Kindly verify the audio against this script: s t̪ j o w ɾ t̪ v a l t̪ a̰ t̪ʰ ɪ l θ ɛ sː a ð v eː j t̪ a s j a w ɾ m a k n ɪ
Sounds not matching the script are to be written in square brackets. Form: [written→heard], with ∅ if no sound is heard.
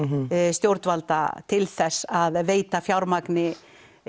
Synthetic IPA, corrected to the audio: s t̪ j o w ɾ t̪ v a l t̪ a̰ t̪ʰ ɪ l θ ɛ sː a ð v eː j t̪ a [s→f] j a w ɾ m a k n ɪ